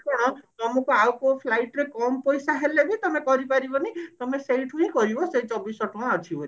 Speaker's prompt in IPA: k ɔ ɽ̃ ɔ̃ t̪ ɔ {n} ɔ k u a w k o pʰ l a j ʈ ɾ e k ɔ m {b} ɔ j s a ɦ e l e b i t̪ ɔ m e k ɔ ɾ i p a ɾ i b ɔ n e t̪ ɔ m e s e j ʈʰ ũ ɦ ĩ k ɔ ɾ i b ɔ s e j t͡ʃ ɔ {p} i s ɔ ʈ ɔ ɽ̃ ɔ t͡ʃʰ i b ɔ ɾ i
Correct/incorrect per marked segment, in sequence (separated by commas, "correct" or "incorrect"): incorrect, incorrect, incorrect